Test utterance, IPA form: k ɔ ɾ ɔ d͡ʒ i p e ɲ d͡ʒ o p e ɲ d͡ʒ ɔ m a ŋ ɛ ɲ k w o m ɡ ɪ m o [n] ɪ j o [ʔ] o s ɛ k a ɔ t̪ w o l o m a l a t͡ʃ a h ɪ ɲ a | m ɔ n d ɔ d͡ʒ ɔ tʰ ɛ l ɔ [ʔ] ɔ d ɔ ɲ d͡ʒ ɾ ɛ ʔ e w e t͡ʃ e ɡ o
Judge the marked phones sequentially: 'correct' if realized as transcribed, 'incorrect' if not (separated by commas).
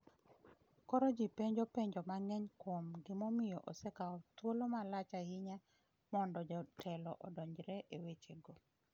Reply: incorrect, correct, correct